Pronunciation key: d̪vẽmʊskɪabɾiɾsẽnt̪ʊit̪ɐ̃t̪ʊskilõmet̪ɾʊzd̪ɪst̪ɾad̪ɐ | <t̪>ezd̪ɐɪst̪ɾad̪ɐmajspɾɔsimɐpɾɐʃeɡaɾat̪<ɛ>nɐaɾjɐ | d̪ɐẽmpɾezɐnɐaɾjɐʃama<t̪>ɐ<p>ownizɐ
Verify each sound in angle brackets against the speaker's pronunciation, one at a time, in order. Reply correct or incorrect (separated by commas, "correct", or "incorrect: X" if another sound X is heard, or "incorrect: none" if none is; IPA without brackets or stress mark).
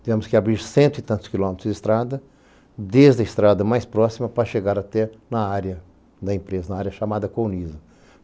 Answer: incorrect: d̪, correct, incorrect: d̪, incorrect: k